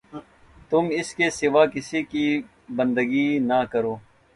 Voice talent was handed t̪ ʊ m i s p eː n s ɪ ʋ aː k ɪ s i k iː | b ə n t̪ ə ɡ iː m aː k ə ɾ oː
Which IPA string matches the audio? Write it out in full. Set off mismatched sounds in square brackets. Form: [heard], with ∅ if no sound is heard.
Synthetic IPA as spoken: t̪ ʊ m [ɪ] s [k] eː [∅] s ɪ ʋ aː k ɪ s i k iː | b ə n [d̪] ə ɡ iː [n] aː k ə ɾ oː